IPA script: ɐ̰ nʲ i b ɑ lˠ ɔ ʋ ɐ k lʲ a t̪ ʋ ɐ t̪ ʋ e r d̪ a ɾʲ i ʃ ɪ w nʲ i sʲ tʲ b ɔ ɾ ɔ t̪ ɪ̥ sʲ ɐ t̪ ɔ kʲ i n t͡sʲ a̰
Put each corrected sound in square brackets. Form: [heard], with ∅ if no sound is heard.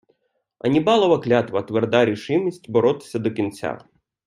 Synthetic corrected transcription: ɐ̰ nʲ i b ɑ lˠ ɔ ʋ ɐ k lʲ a t̪ ʋ ɐ t̪ ʋ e r d̪ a ɾʲ i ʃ ɪ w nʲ i sʲ tʲ b ɔ ɾ ɔ t̪ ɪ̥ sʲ ɐ [d̪] ɔ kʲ i n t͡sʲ a̰